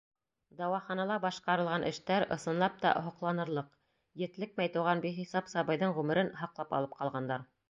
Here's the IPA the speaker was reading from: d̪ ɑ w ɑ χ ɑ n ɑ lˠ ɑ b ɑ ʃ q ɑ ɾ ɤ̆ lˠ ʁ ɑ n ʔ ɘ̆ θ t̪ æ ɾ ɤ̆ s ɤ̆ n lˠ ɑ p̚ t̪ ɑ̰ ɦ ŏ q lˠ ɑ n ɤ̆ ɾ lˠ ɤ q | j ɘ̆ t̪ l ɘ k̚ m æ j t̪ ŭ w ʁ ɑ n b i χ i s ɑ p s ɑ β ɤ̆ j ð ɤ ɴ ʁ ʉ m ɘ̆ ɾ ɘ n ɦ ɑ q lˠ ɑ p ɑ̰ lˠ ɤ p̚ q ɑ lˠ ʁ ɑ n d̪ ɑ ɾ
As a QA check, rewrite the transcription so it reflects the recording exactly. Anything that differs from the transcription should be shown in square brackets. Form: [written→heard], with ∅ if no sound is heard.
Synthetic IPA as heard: d̪ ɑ w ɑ χ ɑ n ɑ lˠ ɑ b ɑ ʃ q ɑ ɾ ɤ̆ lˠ ʁ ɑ n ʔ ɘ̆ [θ→ʃ] t̪ æ ɾ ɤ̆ s ɤ̆ n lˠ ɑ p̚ t̪ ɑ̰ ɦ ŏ q lˠ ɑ n ɤ̆ ɾ lˠ ɤ q | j ɘ̆ t̪ l ɘ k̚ m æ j t̪ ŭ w ʁ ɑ n b i χ i s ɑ p s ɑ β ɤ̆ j ð ɤ ɴ ʁ ʉ m ɘ̆ ɾ ɘ n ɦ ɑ q lˠ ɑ p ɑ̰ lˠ ɤ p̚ q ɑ lˠ ʁ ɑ n d̪ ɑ ɾ

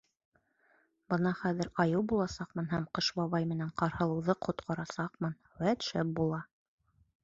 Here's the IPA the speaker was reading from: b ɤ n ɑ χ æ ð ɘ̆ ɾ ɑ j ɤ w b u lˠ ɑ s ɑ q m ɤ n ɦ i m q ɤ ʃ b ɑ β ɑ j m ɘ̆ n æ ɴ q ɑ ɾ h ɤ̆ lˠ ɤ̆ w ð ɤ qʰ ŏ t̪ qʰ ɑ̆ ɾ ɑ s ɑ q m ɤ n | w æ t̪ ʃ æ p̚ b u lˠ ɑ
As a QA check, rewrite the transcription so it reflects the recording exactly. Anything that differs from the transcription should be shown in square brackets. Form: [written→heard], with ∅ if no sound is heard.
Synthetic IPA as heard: b ɤ n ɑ χ æ ð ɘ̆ ɾ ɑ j ɤ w b u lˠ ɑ s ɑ q m ɤ n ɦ [i→æ] m q ɤ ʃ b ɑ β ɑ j m ɘ̆ n æ ɴ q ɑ ɾ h ɤ̆ lˠ ɤ̆ w ð ɤ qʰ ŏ t̪ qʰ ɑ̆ ɾ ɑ s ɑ q m ɤ n | w æ t̪ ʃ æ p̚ b u lˠ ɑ

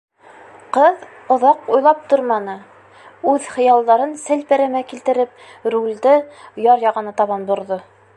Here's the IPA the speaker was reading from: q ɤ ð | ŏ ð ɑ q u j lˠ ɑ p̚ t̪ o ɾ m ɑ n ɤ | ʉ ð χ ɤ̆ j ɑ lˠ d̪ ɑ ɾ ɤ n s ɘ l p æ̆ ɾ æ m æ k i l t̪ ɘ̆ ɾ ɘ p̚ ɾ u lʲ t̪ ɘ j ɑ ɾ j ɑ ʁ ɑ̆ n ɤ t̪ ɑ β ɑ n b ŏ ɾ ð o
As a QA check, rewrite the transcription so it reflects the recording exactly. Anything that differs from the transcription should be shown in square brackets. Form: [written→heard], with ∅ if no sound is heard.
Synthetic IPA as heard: q ɤ ð | ŏ ð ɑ q u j lˠ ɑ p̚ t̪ o ɾ m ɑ n ɤ | ʉ ð χ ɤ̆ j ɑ lˠ d̪ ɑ ɾ ɤ n s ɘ l p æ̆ ɾ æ m æ k i l t̪ ɘ̆ ɾ ɘ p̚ ɾ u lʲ [t̪→d̪] ɘ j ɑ ɾ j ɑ ʁ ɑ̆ n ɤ t̪ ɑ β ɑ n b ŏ ɾ ð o

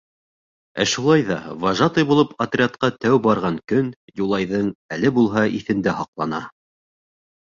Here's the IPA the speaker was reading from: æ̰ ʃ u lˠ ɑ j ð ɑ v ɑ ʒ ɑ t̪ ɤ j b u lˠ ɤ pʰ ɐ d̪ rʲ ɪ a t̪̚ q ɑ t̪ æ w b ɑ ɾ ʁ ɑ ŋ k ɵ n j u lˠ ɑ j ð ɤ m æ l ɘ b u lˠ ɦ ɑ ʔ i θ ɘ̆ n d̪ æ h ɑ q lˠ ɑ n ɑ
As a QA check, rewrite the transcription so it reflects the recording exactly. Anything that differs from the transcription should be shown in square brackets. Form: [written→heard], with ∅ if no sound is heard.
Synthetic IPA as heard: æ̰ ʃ u lˠ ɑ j ð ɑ v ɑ ʒ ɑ t̪ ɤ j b u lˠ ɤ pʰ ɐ [d̪→t̪] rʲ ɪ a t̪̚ q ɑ t̪ æ w b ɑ ɾ ʁ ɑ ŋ k ɵ n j u lˠ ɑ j ð ɤ [m→ɴ] æ l ɘ b u lˠ ɦ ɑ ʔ i θ ɘ̆ n d̪ æ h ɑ q lˠ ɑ n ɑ

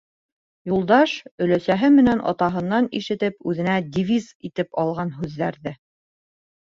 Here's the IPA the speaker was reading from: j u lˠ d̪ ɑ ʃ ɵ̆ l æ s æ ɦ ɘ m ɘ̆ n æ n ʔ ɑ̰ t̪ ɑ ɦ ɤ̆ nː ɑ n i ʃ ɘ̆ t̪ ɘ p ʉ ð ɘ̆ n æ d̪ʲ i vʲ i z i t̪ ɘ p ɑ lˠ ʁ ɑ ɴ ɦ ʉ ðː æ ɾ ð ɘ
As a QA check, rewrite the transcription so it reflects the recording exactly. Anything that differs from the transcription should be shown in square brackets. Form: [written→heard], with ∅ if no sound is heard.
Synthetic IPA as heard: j u lˠ d̪ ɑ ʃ ɵ̆ l æ s æ ɦ ɘ m ɘ̆ n æ n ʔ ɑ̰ t̪ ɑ ɦ ɤ̆ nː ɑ n i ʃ ɘ̆ t̪ ɘ p ʉ ð ɘ̆ n æ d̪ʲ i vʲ i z i t̪ ɘ p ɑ lˠ ʁ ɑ [ɴ→n] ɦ ʉ ðː æ ɾ ð ɘ

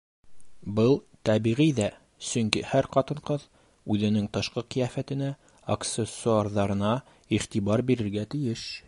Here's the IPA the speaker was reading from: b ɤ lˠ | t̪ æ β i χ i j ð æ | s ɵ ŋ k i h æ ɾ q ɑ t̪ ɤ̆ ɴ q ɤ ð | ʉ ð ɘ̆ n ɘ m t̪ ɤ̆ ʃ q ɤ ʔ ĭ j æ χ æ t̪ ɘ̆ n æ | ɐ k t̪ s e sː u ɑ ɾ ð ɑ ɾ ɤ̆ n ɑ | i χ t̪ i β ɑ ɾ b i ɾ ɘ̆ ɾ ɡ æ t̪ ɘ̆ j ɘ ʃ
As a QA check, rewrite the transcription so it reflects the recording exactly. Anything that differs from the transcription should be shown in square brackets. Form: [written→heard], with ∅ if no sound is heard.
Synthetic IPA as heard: b ɤ lˠ | t̪ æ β i [χ→ʁ] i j ð æ | s ɵ ŋ k i h æ ɾ q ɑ t̪ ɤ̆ ɴ q ɤ ð | ʉ ð ɘ̆ n ɘ [m→ŋ] t̪ ɤ̆ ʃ q ɤ [ʔ→q] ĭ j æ [χ→f] æ t̪ ɘ̆ n æ | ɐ k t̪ s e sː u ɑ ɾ ð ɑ ɾ ɤ̆ n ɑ | i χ t̪ i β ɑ ɾ b i ɾ ɘ̆ ɾ ɡ æ t̪ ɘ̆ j ɘ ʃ

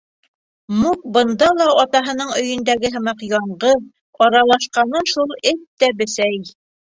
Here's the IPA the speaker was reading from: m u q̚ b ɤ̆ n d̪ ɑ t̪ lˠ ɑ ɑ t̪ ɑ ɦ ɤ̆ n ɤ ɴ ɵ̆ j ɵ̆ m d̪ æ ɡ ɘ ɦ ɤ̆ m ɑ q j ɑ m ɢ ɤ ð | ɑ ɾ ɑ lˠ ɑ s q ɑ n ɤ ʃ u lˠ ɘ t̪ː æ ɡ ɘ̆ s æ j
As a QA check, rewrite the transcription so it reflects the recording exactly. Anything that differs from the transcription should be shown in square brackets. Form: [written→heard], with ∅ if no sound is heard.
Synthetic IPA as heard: m u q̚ b ɤ̆ n d̪ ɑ [t̪→∅] lˠ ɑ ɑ t̪ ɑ ɦ ɤ̆ n ɤ ɴ ɵ̆ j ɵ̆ [m→n] d̪ æ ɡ ɘ ɦ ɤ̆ m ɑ q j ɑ [m→ɴ] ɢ ɤ ð | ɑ ɾ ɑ lˠ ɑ [s→ʃ] q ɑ n ɤ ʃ u lˠ ɘ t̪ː æ [ɡ→b] ɘ̆ s æ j

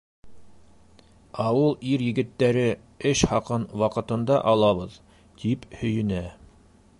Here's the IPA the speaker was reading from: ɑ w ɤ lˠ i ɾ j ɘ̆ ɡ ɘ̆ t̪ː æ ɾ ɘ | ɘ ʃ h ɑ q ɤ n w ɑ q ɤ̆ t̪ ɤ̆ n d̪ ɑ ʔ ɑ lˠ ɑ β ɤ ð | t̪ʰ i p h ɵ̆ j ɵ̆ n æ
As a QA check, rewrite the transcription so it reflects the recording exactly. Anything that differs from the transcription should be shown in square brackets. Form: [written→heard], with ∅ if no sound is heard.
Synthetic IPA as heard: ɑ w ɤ lˠ i ɾ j ɘ̆ ɡ ɘ̆ t̪ː æ ɾ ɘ | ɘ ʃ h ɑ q ɤ n w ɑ q ɤ̆ t̪ ɤ̆ n d̪ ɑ ʔ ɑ lˠ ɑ β ɤ ð | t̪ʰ i p h ɵ̆ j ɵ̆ n æ

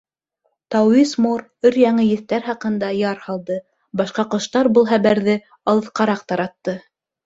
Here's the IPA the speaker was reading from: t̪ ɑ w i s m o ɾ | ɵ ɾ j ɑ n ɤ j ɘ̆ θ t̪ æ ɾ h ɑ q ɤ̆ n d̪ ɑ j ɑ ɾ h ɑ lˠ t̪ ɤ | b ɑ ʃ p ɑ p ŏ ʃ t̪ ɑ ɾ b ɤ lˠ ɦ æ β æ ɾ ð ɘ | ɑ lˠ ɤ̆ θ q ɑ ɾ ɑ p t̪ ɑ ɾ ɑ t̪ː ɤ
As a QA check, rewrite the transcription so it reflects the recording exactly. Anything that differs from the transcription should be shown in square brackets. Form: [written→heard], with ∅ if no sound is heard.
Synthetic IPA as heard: t̪ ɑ w i s m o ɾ | ɵ ɾ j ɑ [n→ɴ] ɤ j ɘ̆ θ t̪ æ ɾ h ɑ q ɤ̆ n d̪ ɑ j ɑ ɾ h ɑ lˠ [t̪→d̪] ɤ | b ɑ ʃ [p→q] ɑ [p→q] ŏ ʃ t̪ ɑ ɾ b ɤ lˠ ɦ æ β æ ɾ ð ɘ | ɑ lˠ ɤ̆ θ q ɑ ɾ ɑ [p→q] t̪ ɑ ɾ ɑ t̪ː ɤ

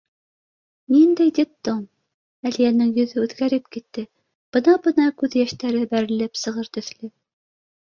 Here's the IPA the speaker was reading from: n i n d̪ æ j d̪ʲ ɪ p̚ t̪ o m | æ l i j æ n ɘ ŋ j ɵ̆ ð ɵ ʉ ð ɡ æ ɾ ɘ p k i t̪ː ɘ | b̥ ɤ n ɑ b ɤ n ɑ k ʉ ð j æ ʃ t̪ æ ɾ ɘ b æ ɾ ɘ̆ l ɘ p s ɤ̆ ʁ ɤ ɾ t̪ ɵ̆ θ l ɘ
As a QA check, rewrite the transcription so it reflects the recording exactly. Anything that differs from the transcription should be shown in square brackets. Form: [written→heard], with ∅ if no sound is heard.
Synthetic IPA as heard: n i n d̪ æ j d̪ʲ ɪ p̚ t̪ o m | æ l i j æ n ɘ ŋ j ɵ̆ ð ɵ ʉ ð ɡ æ ɾ ɘ p k i t̪ː ɘ | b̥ ɤ n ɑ b ɤ n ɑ k ʉ ð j æ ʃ t̪ æ ɾ ɘ b æ ɾ ɘ̆ l ɘ p s ɤ̆ ʁ ɤ ɾ t̪ ɵ̆ θ l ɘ

